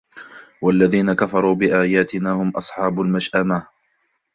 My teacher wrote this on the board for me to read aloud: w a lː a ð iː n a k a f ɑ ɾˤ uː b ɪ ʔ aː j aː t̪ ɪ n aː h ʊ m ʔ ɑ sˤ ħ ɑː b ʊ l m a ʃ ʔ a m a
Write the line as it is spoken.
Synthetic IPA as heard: w a lː a ð iː n a k a f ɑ ɾˤ uː b ɪ ʔ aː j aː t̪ ɪ n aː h ʊ m ʔ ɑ sˤ ħ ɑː b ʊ l m a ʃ ʔ a m a

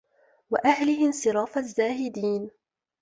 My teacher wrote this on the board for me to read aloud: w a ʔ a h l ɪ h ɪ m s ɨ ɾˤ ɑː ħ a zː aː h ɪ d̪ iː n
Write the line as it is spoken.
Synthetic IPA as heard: w a ʔ a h l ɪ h ɪ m s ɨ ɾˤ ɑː f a zː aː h ɪ d̪ iː n

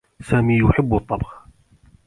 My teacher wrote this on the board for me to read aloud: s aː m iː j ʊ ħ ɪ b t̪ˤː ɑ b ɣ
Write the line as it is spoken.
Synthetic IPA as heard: s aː m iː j ʊ ħ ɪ bː t̪ˤː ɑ b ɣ

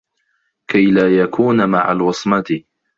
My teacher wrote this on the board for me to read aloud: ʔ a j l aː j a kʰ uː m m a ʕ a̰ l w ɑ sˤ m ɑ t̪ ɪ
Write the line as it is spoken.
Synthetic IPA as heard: k a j l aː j a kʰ uː n m a ʕ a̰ l w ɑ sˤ m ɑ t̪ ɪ

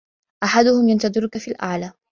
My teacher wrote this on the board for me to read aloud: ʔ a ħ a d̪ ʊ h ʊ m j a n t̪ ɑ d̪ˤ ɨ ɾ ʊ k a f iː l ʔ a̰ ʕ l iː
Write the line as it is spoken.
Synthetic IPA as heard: ʔ a ħ a d̪ ʊ h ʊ m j a n t̪ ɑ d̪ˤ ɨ ɾ ʊ k a f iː l ʔ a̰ ʕ l aː

